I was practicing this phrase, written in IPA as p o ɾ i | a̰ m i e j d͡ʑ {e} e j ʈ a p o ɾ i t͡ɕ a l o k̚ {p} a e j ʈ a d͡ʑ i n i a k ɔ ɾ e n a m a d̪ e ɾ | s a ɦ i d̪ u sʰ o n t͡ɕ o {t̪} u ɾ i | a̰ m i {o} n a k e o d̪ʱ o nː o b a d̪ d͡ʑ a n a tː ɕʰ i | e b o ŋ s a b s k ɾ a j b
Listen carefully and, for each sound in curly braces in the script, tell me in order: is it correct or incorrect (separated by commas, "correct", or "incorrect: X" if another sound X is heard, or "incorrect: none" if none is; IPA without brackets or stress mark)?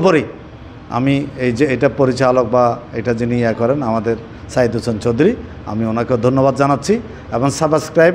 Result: correct, incorrect: b, incorrect: d̪, correct